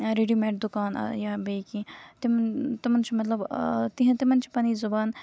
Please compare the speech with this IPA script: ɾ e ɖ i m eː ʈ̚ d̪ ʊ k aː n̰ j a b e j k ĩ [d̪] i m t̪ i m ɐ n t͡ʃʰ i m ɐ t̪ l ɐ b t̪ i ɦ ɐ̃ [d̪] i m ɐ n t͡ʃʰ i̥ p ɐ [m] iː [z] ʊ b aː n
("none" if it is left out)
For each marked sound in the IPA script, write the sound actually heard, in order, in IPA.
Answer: t̪, t̪, n, z

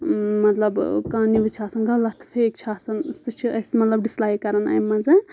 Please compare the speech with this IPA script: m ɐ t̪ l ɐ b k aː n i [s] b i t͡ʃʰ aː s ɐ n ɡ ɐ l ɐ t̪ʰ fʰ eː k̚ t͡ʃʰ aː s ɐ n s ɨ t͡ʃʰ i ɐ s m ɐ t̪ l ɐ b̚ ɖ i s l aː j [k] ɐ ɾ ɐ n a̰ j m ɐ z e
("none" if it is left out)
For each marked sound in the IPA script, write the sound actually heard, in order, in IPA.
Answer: none, k

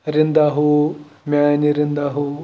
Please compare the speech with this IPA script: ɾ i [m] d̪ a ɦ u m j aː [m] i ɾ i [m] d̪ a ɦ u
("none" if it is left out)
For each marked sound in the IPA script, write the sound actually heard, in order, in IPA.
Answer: n, n, n

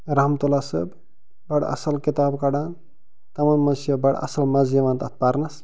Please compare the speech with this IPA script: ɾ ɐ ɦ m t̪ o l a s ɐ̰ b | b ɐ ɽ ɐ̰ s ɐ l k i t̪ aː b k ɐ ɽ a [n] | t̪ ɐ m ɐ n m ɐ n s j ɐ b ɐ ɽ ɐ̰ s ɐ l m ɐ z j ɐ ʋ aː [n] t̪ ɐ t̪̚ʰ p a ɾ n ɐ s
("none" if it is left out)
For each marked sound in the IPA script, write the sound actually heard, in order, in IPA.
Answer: n, n

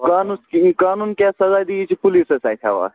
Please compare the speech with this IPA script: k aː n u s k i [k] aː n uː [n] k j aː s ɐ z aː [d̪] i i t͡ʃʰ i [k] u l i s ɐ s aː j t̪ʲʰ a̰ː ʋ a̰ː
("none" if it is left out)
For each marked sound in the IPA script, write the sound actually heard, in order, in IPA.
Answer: k, n, d̪, p

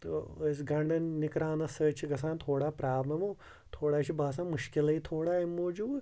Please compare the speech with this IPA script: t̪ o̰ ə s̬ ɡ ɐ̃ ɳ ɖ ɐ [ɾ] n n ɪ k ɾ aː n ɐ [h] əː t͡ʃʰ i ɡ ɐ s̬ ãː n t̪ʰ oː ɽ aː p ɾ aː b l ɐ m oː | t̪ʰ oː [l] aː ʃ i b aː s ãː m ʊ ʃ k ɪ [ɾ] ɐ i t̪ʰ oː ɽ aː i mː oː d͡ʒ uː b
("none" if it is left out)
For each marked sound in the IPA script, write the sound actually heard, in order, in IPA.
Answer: none, s, ɽ, l

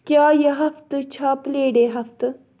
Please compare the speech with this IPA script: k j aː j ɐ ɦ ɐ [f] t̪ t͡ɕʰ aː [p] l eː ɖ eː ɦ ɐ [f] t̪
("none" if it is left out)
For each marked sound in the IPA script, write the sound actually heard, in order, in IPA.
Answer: f, p, f

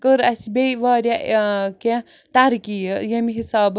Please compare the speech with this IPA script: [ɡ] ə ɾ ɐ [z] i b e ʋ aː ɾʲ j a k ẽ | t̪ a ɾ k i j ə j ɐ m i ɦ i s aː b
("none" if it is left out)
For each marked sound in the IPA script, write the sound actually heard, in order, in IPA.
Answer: k, s

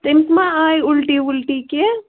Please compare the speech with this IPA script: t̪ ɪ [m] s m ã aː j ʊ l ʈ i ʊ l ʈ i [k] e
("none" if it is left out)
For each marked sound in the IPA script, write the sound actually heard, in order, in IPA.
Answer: m, k

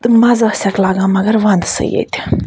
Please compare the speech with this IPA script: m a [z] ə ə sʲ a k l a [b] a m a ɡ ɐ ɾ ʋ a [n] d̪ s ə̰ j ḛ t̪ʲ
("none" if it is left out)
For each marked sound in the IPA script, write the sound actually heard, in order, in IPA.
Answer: z, ɡ, n

